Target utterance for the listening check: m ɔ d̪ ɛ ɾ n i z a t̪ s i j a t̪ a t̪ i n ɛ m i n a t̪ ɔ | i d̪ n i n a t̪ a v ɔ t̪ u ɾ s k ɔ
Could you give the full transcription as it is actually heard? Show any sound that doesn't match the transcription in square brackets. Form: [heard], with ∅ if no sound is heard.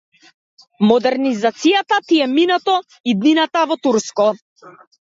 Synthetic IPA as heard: m ɔ d̪ ɛ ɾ n i z a t̪ s i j a t̪ a t̪ i [∅] ɛ m i n a t̪ ɔ | i d̪ n i n a t̪ a v ɔ t̪ u ɾ s k ɔ